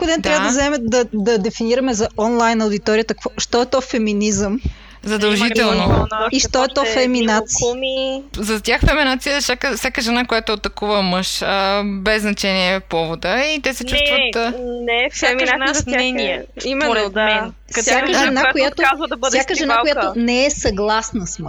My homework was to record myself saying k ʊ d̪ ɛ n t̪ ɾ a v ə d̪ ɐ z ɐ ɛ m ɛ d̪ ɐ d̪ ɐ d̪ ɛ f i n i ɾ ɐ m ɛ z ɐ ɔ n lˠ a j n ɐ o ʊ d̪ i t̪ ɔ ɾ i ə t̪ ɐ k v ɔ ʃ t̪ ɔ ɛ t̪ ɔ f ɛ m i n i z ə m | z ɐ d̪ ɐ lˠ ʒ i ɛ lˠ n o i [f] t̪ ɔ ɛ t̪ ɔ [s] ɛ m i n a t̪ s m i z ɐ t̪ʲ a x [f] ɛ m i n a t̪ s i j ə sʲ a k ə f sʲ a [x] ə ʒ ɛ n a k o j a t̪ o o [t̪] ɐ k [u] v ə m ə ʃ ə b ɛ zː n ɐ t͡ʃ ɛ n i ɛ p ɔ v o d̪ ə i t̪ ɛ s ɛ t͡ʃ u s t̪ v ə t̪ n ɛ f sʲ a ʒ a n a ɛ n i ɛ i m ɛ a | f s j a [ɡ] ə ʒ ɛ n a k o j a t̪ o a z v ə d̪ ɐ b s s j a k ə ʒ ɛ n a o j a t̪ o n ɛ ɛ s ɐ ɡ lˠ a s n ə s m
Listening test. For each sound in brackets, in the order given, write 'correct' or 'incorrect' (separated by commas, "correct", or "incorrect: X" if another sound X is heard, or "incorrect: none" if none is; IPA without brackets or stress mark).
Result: incorrect: ʃ, incorrect: f, correct, incorrect: k, correct, correct, incorrect: k